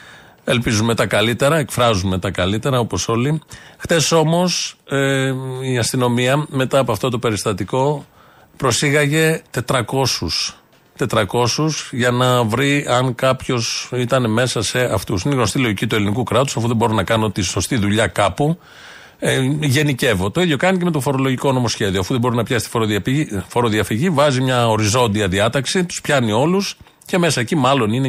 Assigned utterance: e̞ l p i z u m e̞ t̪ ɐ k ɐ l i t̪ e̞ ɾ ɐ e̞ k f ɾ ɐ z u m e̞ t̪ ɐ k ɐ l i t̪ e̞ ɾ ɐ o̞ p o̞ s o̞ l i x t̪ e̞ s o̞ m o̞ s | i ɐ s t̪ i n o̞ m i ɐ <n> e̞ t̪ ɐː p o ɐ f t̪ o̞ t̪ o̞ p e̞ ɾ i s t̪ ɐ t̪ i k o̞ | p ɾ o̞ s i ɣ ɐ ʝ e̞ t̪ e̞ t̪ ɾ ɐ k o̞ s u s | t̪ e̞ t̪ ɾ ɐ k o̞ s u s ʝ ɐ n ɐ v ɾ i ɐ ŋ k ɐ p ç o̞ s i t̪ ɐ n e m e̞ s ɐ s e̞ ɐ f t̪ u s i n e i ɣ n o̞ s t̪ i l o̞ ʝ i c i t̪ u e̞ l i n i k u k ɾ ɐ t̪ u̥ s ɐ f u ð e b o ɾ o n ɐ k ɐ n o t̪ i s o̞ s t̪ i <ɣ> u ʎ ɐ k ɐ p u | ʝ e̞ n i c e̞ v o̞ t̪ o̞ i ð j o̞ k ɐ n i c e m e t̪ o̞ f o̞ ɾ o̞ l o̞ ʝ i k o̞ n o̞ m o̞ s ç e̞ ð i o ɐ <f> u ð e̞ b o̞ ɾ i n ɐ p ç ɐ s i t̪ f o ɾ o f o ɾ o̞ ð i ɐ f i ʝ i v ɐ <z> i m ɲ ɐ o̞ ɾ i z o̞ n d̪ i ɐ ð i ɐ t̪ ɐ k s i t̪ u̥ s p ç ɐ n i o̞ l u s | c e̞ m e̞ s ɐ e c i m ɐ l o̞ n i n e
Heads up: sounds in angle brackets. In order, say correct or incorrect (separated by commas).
incorrect, incorrect, correct, correct